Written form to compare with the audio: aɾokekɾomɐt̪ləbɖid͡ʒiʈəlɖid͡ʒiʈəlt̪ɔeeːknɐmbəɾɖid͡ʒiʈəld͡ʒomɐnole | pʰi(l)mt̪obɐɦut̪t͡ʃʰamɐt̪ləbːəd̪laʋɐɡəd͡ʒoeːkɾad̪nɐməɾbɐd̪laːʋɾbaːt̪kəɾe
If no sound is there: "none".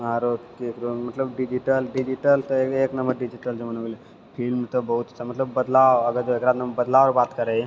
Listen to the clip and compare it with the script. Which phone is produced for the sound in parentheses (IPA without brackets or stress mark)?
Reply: l